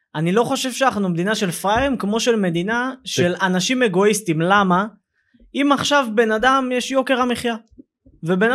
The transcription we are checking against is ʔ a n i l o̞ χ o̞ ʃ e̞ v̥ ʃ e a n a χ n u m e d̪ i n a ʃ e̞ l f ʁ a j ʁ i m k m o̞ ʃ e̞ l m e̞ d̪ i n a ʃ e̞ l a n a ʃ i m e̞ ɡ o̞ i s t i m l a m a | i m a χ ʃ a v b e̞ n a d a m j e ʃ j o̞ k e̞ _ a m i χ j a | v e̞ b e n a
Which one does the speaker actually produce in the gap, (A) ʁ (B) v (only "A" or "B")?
A